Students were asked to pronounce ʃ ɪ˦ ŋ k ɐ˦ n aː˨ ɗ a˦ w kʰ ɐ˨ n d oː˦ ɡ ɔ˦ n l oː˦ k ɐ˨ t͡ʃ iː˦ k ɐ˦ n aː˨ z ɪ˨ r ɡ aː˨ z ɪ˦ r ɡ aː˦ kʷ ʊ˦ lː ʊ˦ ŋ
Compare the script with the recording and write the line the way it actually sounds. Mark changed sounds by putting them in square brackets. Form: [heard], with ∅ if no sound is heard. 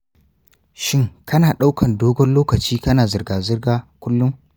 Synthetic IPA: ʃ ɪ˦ ŋ k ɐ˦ n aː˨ ɗ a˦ w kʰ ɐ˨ n d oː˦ ɡ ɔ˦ n l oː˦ k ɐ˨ t͡ʃ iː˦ k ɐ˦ n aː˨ z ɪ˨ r ɡ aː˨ z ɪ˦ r ɡ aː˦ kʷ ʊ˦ lː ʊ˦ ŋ